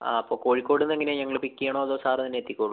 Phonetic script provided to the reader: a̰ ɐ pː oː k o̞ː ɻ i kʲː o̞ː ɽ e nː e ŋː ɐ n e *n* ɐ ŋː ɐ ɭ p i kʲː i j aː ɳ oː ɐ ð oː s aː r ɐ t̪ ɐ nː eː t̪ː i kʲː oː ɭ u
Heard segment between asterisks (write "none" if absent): ɲ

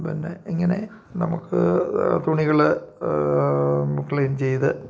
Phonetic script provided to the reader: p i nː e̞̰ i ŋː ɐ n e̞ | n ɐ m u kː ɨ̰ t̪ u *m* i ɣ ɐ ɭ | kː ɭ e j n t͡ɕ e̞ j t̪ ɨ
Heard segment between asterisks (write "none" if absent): ɳ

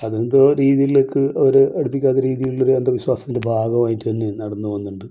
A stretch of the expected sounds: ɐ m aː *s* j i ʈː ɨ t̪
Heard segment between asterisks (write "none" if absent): none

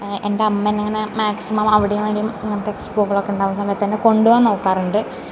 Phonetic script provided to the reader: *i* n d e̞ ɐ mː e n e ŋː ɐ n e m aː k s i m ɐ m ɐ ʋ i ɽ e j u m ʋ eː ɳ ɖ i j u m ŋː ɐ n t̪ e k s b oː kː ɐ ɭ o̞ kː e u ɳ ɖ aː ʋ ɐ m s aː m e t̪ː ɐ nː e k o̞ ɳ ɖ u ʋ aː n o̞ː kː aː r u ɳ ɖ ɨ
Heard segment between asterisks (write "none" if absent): e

